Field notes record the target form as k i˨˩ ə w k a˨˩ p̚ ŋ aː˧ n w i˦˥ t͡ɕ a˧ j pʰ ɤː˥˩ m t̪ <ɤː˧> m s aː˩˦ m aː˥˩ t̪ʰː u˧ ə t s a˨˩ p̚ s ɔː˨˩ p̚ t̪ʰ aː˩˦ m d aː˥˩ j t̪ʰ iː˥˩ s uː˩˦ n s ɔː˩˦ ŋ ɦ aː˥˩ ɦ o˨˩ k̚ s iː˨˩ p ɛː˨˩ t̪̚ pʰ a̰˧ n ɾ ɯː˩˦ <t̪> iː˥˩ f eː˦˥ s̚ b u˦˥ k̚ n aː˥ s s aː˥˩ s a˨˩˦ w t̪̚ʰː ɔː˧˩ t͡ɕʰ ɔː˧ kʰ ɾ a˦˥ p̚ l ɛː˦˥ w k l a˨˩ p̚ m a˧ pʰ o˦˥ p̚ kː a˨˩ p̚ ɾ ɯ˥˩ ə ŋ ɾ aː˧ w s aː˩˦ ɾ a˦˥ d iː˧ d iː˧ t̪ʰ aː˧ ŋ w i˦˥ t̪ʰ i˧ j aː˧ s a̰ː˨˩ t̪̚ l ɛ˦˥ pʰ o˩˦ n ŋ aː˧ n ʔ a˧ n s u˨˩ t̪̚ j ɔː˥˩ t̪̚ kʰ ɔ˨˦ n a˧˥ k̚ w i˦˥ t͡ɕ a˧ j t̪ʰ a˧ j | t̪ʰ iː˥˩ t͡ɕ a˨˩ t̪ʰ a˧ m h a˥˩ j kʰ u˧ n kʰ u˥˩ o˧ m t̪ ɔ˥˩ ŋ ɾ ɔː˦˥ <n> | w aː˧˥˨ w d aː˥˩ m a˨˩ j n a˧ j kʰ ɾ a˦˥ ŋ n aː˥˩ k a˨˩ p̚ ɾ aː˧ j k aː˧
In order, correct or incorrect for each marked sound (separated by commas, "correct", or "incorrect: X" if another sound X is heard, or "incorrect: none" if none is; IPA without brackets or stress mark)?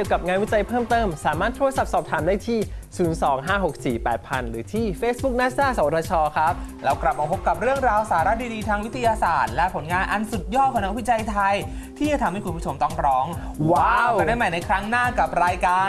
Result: incorrect: ɤː˥˩, incorrect: t̪ʰ, incorrect: ŋ